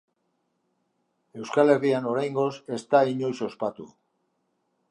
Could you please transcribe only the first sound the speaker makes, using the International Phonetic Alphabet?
e̞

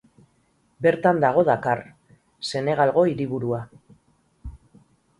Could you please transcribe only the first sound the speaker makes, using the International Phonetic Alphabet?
b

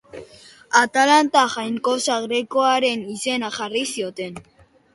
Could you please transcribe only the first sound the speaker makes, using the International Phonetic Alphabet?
a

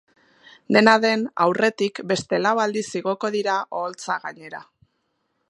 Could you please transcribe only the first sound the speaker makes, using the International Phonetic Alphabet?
d̪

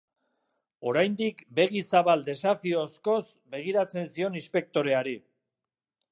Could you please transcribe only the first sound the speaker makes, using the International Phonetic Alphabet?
o̞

